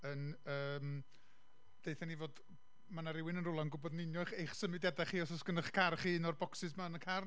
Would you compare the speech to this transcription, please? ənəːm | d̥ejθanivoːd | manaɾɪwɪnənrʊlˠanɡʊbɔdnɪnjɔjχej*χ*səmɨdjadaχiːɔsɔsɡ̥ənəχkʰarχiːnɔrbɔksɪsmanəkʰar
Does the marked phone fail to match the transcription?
no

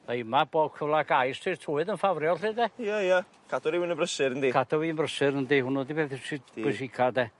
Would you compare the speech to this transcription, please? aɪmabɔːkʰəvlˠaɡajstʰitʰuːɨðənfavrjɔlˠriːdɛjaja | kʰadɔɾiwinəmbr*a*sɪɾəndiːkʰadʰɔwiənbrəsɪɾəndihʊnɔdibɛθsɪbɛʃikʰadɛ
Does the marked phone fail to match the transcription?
yes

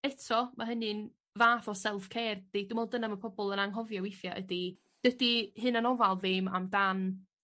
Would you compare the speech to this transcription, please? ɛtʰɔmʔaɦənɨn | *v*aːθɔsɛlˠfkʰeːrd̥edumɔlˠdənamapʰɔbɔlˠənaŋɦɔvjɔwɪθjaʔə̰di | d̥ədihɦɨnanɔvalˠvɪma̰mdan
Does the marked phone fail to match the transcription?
no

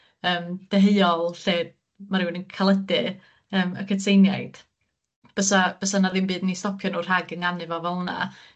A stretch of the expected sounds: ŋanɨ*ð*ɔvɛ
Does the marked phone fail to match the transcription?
yes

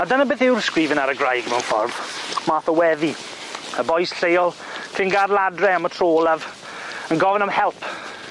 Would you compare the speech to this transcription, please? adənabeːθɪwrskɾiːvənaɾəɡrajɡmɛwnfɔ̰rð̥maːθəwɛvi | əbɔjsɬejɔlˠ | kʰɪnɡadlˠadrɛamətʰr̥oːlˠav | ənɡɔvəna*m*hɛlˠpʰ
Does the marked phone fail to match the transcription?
no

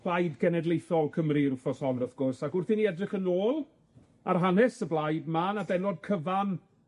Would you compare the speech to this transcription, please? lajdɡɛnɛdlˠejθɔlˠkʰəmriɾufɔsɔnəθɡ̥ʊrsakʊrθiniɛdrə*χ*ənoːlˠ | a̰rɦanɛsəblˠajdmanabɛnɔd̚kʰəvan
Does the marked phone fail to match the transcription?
no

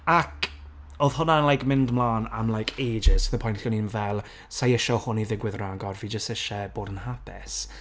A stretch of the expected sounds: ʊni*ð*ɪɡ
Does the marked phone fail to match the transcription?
no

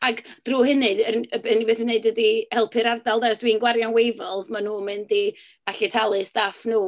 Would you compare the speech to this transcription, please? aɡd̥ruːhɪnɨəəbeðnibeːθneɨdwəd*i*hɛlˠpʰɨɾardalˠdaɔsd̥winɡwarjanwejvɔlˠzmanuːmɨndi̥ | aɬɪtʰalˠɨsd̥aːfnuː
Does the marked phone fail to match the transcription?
no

